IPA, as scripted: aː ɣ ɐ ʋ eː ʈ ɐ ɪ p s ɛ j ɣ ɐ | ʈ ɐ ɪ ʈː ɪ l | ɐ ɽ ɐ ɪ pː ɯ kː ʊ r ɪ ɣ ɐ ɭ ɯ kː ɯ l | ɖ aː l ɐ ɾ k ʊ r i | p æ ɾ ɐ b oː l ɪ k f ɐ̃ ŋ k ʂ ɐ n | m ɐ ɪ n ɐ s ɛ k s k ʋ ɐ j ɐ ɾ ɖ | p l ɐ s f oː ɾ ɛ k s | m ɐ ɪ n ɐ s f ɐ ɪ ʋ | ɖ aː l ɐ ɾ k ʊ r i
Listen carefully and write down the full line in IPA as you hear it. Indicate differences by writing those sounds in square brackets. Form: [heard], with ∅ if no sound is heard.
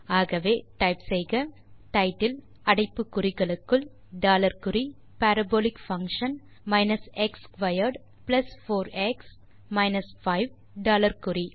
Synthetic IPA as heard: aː ɣ ɐ ʋ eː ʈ ɐ ɪ p s ɛ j ɣ ɐ | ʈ ɐ ɪ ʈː ɪ l | ɐ ɽ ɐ ɪ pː ɯ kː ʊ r ɪ ɣ ɐ ɭ ɯ kː ɯ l | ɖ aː l ɐ ɾ k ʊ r i | p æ ɾ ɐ b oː l ɪ k f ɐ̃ ŋ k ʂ ɐ n | m ɐ ɪ n ɐ s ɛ k s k ʋ ɐ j ɐ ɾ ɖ | p l ɐ s f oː ɾ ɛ k s | m ɐ ɪ n ɐ s f ɐ ɪ ʋ | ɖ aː l ɐ ɾ k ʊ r i